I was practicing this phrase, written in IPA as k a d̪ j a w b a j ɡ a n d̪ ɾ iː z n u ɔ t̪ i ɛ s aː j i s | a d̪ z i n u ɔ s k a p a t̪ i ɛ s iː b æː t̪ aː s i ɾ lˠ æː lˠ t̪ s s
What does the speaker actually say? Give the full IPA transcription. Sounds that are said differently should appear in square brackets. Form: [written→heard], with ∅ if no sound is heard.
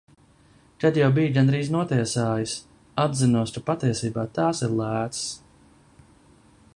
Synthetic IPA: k a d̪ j a w b [a→i] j ɡ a n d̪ ɾ iː z n u ɔ t̪ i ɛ s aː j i s | a d̪ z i n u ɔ s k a p a t̪ i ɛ s iː b [æː→aː] t̪ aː s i ɾ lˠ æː [lˠ→∅] t̪ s s